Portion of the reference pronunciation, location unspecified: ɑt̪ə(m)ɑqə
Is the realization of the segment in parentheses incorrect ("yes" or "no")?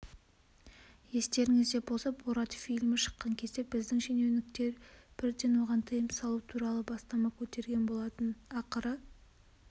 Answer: yes